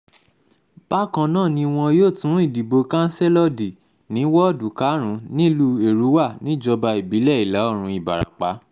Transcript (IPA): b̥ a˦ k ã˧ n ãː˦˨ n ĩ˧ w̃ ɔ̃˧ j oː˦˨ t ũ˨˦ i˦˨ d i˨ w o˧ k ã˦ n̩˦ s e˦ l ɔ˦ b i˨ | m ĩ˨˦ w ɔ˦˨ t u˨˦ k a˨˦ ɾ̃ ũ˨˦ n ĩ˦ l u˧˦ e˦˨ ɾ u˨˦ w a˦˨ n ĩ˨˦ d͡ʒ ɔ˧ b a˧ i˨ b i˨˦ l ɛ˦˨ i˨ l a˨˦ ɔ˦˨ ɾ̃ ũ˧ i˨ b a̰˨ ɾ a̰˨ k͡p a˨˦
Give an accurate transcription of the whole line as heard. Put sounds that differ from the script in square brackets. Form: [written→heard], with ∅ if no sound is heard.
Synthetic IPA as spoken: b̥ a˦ k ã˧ n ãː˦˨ n ĩ˧ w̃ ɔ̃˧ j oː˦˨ t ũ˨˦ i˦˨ d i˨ [w→b] o˧ k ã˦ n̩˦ s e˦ l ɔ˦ [b→d] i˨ | [m→n] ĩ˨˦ w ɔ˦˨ [t→d] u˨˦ k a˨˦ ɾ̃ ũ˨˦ n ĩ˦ l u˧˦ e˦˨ ɾ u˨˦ w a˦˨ n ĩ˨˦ d͡ʒ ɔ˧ b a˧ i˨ b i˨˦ l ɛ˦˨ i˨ l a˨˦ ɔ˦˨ ɾ̃ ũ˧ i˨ b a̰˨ ɾ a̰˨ k͡p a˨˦